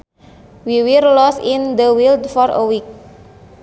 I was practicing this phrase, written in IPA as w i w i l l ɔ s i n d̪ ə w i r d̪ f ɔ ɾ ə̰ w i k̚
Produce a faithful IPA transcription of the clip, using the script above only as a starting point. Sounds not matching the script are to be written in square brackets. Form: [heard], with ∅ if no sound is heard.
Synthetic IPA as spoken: w i w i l l ɔ s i n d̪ ə w i [l] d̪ f ɔ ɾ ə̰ w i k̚